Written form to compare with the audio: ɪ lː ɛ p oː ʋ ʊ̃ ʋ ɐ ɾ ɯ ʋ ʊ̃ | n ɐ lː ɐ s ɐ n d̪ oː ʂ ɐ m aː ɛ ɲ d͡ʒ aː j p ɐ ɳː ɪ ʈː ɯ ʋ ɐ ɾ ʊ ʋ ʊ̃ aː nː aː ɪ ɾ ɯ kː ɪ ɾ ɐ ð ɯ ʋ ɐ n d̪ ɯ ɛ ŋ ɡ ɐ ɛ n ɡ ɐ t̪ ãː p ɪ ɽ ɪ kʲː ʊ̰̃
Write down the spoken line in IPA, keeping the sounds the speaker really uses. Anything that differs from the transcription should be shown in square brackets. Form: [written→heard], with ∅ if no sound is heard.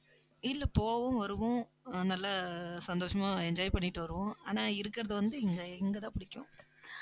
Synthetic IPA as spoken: ɪ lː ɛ p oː ʋ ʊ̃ ʋ ɐ ɾ ɯ ʋ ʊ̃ | n ɐ lː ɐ s ɐ n d̪ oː ʂ ɐ m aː ɛ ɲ d͡ʒ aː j p ɐ ɳː ɪ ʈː ɯ ʋ ɐ ɾ [ʊ→ɯ] ʋ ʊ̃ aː [nː→n] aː ɪ ɾ ɯ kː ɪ ɾ ɐ ð ɯ ʋ ɐ n d̪ ɯ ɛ ŋ ɡ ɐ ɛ [n→ŋ] ɡ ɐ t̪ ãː p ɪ ɽ ɪ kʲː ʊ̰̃